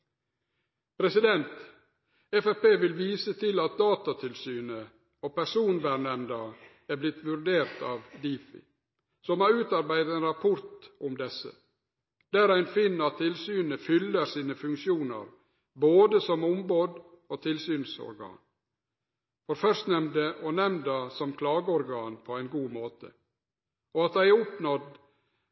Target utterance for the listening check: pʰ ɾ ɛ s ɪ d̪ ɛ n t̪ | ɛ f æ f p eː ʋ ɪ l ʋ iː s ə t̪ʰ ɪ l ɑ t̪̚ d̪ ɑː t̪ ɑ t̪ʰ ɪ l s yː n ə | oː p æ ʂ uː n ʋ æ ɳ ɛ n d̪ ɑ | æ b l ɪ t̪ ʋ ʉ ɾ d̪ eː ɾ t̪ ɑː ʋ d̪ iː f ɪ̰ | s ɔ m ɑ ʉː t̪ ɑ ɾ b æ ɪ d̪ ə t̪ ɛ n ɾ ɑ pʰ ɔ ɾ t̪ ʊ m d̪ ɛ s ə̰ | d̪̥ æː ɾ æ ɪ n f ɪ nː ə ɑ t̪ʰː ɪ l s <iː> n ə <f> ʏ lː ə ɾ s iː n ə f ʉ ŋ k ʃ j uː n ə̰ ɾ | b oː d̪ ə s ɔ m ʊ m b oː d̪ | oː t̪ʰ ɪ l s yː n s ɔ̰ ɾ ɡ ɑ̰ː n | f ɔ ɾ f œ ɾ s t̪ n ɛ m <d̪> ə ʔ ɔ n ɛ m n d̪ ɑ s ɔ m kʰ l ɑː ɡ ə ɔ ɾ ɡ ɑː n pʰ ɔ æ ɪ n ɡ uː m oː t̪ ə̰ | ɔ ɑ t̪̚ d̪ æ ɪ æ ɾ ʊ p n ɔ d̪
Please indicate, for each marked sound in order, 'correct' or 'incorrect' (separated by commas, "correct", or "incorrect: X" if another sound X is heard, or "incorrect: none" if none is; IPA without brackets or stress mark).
incorrect: yː, correct, correct